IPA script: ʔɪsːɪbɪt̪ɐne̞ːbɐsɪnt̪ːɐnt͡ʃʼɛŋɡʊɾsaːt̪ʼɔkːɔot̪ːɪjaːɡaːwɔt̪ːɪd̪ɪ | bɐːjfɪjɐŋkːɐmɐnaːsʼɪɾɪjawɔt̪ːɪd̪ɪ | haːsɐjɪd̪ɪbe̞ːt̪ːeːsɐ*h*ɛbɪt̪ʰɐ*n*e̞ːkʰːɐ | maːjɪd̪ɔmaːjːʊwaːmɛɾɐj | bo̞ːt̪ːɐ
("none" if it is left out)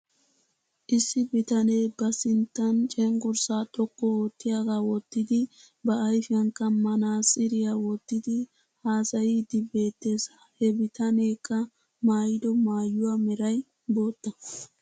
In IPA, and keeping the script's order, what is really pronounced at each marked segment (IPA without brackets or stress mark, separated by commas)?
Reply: h, n